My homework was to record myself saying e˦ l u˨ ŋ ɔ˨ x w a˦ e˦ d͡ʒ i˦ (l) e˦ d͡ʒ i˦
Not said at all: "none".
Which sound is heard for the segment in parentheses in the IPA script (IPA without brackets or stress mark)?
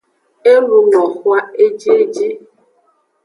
none